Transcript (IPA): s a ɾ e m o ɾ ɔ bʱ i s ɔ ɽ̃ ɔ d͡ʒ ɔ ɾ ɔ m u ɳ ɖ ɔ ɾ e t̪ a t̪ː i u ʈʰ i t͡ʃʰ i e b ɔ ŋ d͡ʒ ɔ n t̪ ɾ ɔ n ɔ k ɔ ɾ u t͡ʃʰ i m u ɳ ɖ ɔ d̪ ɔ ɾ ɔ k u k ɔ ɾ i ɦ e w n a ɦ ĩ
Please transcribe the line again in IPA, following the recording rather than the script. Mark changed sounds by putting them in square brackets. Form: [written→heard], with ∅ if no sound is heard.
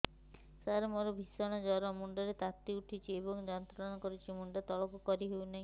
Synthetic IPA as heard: s a ɾ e m o ɾ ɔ bʱ i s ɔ ɽ̃ ɔ d͡ʒ ɔ ɾ ɔ m u ɳ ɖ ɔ ɾ e t̪ a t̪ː i u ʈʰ i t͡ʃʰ i e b ɔ ŋ d͡ʒ ɔ n t̪ ɾ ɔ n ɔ k ɔ ɾ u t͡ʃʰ i m u ɳ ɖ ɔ [d̪→t̪] ɔ [ɾ→ɭ] ɔ k u k ɔ ɾ i ɦ e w n a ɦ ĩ